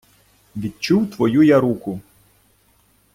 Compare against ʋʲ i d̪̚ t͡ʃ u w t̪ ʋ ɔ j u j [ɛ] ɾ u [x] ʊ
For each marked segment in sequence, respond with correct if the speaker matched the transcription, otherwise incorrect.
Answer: incorrect: a, incorrect: k

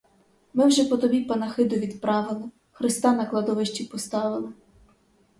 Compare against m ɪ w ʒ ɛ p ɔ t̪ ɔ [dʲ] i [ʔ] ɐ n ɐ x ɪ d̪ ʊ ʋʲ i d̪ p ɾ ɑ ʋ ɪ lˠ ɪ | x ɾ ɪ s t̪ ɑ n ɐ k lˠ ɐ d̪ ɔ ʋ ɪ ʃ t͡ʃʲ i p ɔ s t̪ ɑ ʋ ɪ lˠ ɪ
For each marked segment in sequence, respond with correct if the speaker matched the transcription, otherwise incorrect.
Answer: incorrect: bʲ, incorrect: p

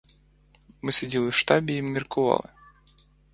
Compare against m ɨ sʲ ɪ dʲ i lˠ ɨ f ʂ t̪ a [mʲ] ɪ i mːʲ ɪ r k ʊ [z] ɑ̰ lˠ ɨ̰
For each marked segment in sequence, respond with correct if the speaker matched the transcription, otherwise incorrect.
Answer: incorrect: bʲ, incorrect: v

